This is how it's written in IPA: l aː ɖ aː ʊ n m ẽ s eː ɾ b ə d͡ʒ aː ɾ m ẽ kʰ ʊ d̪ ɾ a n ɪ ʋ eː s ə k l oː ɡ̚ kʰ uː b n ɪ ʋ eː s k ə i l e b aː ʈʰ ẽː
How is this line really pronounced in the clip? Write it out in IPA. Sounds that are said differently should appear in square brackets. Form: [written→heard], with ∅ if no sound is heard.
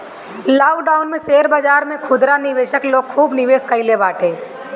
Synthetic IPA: l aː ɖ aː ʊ n m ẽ s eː ɾ b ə d͡ʒ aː ɾ m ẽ kʰ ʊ d̪ ɾ a n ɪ ʋ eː [s→ʃ] ə k l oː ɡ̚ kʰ uː b n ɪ ʋ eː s k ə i l e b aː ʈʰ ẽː